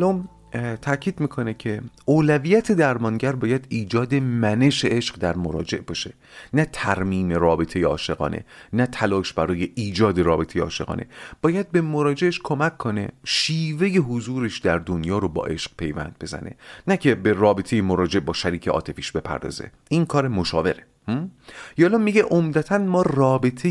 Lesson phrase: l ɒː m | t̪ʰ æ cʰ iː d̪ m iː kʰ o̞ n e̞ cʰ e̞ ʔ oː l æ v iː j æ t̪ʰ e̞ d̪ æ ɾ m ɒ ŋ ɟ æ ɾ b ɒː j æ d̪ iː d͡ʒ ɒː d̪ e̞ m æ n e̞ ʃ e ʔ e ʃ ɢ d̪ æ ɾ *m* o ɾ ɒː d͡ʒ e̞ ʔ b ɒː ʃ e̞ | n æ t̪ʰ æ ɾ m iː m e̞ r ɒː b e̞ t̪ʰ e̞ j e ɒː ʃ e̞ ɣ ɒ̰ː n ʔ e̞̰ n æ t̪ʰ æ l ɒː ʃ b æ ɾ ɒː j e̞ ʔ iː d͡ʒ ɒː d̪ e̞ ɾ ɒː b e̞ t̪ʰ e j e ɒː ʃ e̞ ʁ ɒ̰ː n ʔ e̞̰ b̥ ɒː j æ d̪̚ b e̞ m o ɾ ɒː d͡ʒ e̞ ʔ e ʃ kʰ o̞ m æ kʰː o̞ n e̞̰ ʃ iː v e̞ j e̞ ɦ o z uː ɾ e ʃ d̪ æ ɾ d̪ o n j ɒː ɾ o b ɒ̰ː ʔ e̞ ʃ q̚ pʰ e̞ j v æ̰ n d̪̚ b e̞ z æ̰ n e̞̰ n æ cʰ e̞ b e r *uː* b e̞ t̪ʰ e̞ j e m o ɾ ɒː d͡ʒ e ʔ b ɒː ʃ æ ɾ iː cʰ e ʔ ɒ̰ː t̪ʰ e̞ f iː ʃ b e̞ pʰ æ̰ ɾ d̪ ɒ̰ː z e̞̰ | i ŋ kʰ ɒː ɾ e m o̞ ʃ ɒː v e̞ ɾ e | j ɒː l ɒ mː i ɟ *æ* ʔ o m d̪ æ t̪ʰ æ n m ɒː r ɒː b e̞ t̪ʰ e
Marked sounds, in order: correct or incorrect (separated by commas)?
correct, incorrect, incorrect